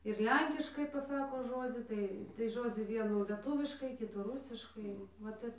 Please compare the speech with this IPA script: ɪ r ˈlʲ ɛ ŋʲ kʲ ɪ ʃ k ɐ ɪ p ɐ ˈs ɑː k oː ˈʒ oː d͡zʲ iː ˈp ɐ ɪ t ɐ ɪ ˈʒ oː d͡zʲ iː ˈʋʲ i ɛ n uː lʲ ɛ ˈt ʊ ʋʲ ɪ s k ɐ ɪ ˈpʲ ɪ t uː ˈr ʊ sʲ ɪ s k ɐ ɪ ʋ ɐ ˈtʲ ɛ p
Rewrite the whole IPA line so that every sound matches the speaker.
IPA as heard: ɪ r ˈlʲ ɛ ŋʲ kʲ ɪ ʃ k ɐ ɪ p ɐ ˈs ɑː k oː ˈʒ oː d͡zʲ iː ˈt ɐ ɪ t ɐ ɪ ˈʒ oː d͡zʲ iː ˈʋʲ i ɛ n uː lʲ ɛ ˈt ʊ ʋʲ ɪ ʃ k ɐ ɪ ˈkʲ ɪ t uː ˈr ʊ sʲ ɪ ʃ k ɐ ɪ ʋ ɐ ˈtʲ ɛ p